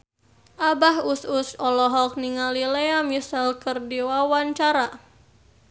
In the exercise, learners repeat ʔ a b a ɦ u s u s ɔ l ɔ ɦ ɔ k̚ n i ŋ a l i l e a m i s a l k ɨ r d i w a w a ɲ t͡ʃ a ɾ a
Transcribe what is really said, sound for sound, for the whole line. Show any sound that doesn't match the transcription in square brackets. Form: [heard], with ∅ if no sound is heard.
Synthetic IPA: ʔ a b a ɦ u s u s ɔ l ɔ ɦ ɔ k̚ n i ŋ a l i l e a m i s a l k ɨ r d i w a w a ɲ t͡ʃ a ɾ a